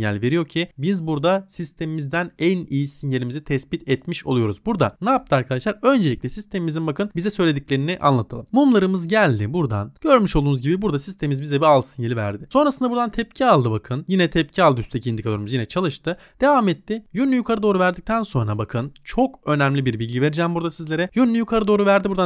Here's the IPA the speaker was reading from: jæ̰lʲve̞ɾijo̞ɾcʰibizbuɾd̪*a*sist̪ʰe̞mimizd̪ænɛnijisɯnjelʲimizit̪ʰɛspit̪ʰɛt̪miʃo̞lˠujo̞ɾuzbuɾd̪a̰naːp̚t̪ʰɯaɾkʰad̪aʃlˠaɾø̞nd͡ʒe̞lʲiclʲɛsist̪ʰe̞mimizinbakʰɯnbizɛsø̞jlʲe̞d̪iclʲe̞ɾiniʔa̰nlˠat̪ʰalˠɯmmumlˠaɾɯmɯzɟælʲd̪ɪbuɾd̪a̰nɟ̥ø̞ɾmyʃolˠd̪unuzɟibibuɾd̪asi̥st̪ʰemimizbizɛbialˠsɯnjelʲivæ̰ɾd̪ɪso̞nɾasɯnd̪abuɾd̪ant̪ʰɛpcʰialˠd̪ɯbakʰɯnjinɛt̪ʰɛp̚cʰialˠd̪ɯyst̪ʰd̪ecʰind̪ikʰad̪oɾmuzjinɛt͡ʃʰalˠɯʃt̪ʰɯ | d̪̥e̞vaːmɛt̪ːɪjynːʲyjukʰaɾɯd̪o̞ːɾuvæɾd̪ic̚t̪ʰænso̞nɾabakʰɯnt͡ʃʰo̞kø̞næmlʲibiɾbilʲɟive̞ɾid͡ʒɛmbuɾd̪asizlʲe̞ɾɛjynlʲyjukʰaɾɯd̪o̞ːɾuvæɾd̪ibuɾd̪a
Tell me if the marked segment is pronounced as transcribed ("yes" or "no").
yes